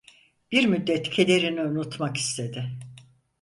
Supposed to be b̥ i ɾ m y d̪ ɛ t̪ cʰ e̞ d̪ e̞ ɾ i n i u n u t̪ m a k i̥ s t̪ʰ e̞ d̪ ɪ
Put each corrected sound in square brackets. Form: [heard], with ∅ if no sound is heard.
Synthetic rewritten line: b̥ i ɾ m y [d̪ː] ɛ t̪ cʰ e̞ d̪ e̞ ɾ i n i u n u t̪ m a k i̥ s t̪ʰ e̞ d̪ ɪ